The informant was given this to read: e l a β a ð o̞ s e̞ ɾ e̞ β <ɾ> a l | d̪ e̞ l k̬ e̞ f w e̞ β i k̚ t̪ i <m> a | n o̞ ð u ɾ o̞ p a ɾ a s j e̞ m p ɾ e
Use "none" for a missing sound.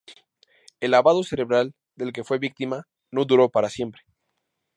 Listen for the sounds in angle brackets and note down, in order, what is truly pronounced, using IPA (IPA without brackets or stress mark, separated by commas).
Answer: ɾ, m